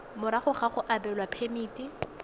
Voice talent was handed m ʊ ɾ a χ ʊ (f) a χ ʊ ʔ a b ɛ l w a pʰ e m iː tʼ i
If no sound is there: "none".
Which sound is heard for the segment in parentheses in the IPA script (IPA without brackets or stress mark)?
χ